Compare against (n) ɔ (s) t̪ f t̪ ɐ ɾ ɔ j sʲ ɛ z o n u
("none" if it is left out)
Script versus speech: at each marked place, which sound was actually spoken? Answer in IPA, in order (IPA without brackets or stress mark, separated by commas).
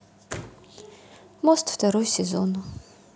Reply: m, s